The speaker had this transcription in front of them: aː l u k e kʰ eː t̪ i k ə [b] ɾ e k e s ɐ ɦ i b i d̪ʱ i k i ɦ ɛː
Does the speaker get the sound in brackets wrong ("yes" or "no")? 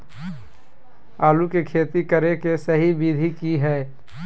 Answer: yes